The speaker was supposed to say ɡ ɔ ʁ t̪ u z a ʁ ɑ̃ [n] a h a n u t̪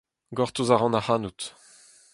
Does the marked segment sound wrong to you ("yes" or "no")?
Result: no